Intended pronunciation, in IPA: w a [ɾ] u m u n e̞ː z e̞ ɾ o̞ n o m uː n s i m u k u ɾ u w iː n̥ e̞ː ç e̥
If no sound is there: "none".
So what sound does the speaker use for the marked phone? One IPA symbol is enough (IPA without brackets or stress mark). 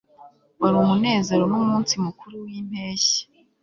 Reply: ɾ